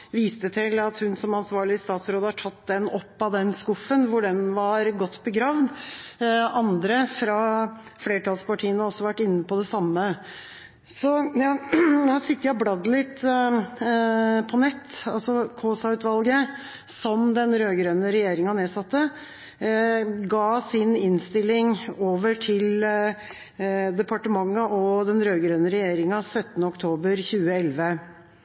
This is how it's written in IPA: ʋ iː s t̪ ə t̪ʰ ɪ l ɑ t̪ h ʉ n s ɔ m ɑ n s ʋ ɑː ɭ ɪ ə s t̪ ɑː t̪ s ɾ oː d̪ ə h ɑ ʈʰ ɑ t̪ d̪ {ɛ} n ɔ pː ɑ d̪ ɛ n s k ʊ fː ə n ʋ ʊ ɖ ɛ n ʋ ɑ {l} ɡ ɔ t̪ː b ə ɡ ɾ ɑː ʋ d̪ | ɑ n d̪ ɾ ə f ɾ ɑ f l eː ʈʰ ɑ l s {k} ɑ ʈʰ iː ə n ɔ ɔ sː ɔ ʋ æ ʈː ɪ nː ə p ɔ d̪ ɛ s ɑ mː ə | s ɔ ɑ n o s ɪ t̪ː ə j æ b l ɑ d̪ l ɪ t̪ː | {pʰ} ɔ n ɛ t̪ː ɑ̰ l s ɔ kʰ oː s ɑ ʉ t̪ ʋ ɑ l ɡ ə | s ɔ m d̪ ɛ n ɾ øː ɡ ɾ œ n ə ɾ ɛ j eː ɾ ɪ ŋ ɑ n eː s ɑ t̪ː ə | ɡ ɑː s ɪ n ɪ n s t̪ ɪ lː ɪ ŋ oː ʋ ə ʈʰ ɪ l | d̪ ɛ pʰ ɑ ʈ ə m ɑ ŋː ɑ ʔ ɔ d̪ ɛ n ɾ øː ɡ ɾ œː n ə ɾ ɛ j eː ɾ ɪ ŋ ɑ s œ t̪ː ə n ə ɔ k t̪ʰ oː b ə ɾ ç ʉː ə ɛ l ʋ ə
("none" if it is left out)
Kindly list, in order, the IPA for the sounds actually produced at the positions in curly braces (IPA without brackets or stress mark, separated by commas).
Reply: ɛ, ɾ, p, pʰ